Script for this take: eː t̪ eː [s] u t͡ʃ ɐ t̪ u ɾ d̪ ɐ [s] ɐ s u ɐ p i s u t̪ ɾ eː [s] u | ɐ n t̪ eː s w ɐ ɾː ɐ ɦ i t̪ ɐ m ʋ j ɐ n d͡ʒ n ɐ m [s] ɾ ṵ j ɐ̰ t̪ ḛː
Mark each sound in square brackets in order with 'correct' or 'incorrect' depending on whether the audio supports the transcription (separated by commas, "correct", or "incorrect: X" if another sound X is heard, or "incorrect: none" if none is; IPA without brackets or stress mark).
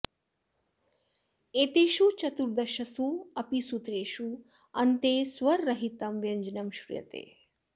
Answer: incorrect: ʃ, incorrect: ʃ, incorrect: ʃ, incorrect: ʃ